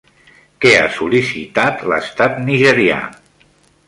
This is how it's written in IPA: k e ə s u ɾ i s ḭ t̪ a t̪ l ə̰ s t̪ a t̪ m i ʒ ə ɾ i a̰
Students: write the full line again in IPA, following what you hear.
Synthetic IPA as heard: k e a s u l i s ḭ t̪ a t̪ l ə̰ s t̪ a t̪ n i ʒ ə ɾ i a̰